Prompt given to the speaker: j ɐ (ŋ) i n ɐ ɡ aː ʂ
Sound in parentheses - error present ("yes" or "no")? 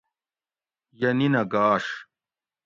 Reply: yes